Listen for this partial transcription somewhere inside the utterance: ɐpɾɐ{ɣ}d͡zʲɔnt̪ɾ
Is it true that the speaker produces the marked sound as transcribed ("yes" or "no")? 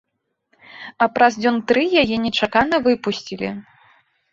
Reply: no